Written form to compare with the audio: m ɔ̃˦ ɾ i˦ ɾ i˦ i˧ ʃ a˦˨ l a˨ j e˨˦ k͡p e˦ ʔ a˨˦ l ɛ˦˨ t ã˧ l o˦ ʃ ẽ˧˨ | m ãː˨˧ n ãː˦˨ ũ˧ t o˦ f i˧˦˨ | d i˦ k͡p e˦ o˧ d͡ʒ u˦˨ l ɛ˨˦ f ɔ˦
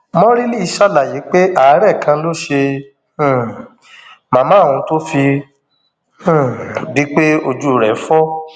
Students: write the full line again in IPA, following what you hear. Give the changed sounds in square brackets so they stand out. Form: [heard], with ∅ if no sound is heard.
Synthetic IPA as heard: m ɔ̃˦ ɾ i˦ [l] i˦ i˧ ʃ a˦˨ l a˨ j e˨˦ k͡p e˦ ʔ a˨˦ [ɾ] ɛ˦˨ [k] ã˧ l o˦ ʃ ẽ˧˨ | m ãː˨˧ [m] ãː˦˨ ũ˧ t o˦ f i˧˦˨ | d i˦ k͡p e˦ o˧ d͡ʒ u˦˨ [ɾ] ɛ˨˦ f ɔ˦